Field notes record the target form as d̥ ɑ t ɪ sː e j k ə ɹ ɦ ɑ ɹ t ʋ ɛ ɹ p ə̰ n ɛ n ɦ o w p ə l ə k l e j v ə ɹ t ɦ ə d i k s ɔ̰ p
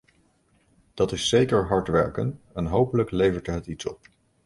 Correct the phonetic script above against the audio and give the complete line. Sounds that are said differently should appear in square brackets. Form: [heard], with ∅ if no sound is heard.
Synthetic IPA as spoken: d̥ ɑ t ɪ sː e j k ə ɹ ɦ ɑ ɹ t ʋ ɛ ɹ [k] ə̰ n ɛ n ɦ o w p ə l ə k l e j v ə ɹ t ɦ ə [t] i [t] s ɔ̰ p